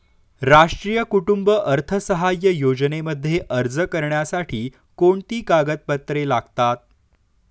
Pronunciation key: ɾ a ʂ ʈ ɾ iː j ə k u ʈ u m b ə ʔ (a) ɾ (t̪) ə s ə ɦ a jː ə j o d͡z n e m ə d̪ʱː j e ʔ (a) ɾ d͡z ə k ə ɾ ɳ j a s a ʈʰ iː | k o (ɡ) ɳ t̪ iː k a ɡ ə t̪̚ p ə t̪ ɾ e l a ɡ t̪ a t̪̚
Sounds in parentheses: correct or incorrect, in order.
incorrect: ə, incorrect: t̪ʰ, incorrect: ə, incorrect: none

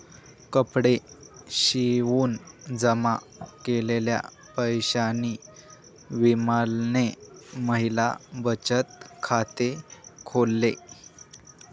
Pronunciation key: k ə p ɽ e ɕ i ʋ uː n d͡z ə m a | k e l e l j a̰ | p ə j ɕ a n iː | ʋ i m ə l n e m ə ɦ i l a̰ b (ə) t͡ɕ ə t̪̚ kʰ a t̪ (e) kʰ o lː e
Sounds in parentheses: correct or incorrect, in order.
correct, correct

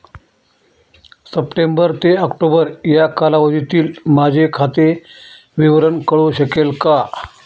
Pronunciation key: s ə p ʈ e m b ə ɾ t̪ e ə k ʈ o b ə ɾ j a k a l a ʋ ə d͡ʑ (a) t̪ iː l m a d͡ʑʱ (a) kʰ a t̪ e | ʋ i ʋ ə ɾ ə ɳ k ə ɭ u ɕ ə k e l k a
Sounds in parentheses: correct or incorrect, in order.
incorrect: i, incorrect: e

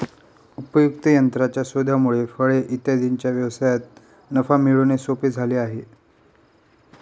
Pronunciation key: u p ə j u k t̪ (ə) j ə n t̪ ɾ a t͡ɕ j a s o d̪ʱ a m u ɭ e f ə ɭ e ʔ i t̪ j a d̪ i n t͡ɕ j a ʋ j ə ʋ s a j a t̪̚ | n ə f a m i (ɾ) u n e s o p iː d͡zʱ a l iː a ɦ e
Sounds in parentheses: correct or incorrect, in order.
correct, incorrect: ɭ

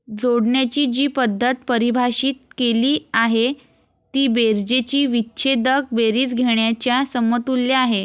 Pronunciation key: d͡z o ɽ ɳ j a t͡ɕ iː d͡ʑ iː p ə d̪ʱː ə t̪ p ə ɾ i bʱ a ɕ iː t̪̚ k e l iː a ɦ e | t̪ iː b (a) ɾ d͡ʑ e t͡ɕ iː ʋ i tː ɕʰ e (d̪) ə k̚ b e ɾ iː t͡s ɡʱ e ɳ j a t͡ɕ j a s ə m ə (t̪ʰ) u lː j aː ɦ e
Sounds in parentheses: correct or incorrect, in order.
incorrect: e, correct, incorrect: t̪

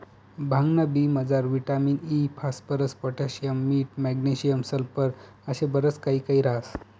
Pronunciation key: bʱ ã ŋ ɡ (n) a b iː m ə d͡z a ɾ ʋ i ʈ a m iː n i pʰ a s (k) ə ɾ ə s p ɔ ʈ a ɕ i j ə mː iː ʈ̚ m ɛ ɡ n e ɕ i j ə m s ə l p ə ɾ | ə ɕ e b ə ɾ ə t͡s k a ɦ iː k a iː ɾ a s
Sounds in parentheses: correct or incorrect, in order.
correct, incorrect: p

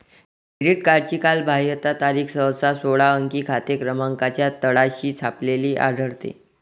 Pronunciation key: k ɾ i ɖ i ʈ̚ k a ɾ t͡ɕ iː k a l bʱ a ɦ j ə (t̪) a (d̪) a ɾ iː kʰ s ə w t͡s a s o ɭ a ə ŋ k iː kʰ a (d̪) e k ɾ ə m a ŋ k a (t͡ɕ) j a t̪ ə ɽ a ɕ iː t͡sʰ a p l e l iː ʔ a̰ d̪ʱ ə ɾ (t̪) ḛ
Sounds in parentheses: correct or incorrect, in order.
correct, incorrect: t̪, incorrect: t̪, correct, correct

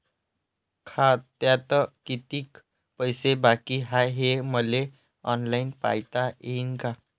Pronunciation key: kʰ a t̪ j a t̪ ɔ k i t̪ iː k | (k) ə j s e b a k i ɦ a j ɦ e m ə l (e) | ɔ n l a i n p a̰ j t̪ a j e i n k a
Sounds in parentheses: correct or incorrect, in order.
incorrect: p, correct

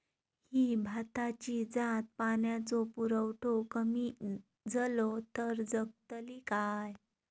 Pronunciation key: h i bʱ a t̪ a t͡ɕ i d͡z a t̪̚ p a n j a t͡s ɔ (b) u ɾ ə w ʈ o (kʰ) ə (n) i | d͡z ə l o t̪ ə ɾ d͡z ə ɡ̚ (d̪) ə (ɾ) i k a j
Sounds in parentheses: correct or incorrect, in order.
incorrect: p, incorrect: k, incorrect: m, incorrect: t̪, incorrect: l

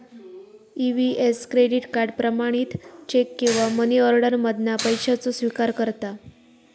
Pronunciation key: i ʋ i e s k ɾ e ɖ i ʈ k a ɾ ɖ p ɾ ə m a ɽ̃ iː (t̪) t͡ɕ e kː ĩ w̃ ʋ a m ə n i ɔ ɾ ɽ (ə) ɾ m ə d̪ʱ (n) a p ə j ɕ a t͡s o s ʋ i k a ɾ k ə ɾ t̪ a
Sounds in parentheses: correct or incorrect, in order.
correct, correct, correct

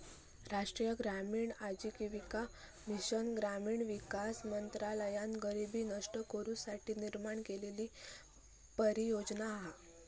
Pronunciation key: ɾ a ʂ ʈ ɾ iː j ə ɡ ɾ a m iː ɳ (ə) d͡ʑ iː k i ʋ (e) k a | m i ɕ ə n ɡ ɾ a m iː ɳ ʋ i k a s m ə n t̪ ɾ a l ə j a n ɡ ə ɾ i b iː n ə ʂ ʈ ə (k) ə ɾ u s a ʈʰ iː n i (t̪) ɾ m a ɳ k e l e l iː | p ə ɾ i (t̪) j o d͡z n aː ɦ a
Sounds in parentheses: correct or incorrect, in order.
incorrect: a, incorrect: i, correct, incorrect: none, incorrect: none

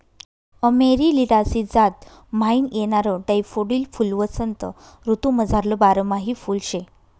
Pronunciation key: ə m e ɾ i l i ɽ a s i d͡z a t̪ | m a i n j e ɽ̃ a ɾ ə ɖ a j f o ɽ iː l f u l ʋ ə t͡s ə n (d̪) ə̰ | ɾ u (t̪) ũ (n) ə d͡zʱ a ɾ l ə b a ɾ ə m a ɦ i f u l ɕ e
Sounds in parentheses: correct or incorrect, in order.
incorrect: t̪, correct, incorrect: m

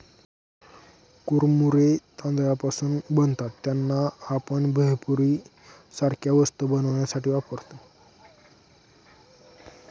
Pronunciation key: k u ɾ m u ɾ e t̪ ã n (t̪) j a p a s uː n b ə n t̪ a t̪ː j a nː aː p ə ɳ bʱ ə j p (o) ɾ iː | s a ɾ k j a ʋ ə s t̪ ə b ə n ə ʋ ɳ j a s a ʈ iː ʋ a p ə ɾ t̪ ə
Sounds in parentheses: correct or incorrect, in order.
incorrect: d̪, incorrect: u

